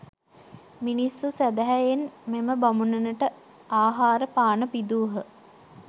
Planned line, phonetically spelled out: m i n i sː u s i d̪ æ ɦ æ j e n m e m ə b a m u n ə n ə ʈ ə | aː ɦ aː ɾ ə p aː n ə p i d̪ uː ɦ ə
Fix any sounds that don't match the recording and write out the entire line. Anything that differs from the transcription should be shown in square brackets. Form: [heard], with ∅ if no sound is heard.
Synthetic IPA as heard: m i n i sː u s [æ] d̪ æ ɦ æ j e n m e m ə b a m u n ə n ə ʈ ə | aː ɦ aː ɾ ə p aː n ə p i d̪ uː ɦ ə